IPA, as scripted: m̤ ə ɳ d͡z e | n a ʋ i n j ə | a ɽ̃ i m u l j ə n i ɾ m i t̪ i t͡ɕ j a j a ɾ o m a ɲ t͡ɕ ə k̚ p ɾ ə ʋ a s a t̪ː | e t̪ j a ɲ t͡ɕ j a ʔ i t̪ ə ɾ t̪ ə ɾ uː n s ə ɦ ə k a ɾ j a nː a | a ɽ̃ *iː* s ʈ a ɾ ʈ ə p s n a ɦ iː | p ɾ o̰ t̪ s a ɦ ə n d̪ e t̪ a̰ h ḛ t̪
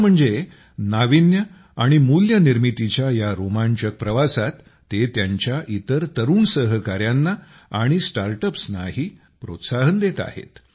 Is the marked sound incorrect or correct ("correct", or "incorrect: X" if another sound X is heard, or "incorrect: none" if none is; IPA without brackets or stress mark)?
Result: incorrect: i